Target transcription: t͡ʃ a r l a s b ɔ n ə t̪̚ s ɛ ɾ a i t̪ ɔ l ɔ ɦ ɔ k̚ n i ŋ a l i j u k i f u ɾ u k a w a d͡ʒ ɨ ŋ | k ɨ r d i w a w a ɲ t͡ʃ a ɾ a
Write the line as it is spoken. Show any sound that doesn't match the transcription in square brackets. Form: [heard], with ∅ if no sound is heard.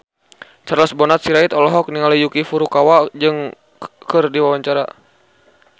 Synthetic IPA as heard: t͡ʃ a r l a s b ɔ n [a] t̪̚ s [i] ɾ a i t̪ ɔ l ɔ ɦ ɔ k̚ n i ŋ a l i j u k i f u ɾ u k a w a d͡ʒ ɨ ŋ | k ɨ r d i w a w a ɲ t͡ʃ a ɾ a

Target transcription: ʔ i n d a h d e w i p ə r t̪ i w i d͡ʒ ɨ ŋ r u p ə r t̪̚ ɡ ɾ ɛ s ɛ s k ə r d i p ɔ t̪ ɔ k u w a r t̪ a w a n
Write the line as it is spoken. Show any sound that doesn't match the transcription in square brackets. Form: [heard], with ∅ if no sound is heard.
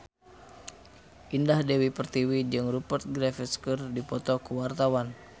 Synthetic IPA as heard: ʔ i n d a h d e w i p ə r t̪ i w i d͡ʒ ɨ ŋ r u p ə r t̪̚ ɡ ɾ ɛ [f] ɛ s k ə r d i p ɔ t̪ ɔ k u w a r t̪ a w a n

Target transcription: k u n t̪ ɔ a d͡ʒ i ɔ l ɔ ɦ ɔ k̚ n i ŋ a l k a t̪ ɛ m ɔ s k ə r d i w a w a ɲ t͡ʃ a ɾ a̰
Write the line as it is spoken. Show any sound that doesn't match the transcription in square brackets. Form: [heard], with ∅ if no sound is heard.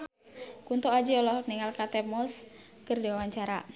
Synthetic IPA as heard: k u n t̪ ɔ a d͡ʒ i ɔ l ɔ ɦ ɔ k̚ n i ŋ a l k a t̪ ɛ m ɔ s k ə r d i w a w a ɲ t͡ʃ a ɾ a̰

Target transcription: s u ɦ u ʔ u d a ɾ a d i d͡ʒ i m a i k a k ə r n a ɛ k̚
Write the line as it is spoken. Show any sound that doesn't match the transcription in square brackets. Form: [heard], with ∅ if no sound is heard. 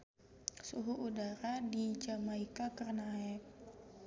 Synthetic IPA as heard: s u ɦ u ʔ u d a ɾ a d i d͡ʒ [a] m a i k a k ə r n a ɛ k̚

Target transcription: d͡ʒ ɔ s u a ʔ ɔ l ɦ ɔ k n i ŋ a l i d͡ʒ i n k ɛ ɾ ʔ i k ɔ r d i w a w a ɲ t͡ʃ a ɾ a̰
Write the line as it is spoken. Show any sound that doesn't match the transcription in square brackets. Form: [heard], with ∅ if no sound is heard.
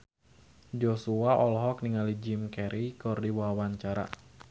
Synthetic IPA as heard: d͡ʒ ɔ s u a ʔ ɔ l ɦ ɔ k n i ŋ a l i d͡ʒ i [m] k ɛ ɾ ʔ i k ɔ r d i w a w a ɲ t͡ʃ a ɾ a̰

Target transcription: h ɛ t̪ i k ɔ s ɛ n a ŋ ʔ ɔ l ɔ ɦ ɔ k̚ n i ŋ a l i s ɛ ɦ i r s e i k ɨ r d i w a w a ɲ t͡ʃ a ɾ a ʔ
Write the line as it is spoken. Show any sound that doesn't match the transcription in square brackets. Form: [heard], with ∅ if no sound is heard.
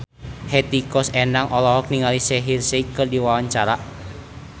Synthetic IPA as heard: h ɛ t̪ i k ɔ s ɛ n a ŋ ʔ ɔ l ɔ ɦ ɔ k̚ n i ŋ a l i s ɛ ɦ i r s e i k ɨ r d i w a w a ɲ t͡ʃ a ɾ a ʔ

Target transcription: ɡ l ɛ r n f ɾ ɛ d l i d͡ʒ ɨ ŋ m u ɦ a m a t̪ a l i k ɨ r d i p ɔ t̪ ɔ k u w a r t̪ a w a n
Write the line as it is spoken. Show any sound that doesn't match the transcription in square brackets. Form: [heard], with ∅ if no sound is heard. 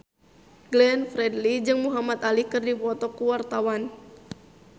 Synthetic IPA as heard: ɡ l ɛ [∅] n f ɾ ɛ d l i d͡ʒ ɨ ŋ m u ɦ a m a t̪ a l i k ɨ r d i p ɔ t̪ ɔ k u w a r t̪ a w a n

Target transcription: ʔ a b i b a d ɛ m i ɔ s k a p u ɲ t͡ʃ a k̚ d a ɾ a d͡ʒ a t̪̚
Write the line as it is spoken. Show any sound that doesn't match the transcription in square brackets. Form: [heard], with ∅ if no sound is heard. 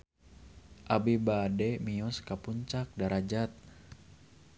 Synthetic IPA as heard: ʔ a b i b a d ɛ m i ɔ s k a p u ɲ t͡ʃ a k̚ d a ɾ a d͡ʒ a t̪̚

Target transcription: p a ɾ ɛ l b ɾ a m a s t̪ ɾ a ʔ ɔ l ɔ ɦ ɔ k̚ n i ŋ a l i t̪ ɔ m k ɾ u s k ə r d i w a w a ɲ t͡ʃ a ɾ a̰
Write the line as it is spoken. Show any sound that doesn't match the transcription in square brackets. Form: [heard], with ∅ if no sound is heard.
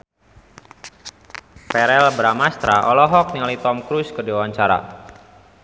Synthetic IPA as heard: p [ɛ] ɾ ɛ l b ɾ a m a s t̪ ɾ a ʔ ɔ l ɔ ɦ ɔ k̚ n i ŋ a l i t̪ ɔ m k ɾ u s k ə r d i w a w a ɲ t͡ʃ a ɾ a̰

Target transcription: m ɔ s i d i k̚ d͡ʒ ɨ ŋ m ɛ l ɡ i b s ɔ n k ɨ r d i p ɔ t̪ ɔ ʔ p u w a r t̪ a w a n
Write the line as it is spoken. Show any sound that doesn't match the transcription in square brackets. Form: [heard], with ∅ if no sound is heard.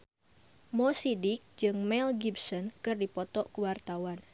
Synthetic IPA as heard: m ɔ s i d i k̚ d͡ʒ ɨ ŋ m ɛ l ɡ i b s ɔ n k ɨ r d i p ɔ t̪ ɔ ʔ [k] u w a r t̪ a w a n

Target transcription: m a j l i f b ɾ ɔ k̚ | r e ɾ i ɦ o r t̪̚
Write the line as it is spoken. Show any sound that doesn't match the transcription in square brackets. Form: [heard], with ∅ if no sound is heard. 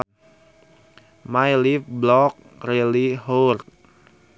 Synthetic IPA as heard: m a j l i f b [l] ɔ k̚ | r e [l] i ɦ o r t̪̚

